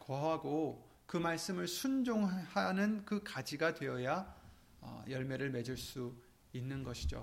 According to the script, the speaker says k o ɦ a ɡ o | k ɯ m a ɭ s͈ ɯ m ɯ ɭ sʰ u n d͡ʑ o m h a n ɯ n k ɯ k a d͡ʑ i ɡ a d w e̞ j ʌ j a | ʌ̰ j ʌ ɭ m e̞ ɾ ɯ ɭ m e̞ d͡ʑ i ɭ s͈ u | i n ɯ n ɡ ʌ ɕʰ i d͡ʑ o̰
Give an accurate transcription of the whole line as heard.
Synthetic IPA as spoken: k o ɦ a ɡ o | k ɯ m a ɭ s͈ ɯ m ɯ ɭ sʰ u n d͡ʑ o ŋ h a n ɯ n k ɯ k a d͡ʑ i ɡ a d w e̞ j ʌ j a | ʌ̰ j ʌ ɭ m e̞ ɾ ɯ ɭ m e̞ d͡ʑ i ɭ s͈ u | i nː ɯ n ɡ ʌ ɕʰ i d͡ʑ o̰